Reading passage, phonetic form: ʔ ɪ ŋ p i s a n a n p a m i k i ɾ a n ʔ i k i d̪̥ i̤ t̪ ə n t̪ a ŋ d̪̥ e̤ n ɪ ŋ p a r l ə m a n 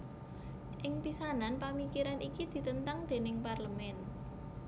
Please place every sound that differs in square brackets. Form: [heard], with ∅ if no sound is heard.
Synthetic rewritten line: ʔ ɪ ŋ p i s a n a n p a m i k i ɾ a n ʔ i k i d̪̥ i̤ t̪ ə n t̪ a ŋ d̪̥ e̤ n ɪ ŋ p a r l ə m [ɛ] n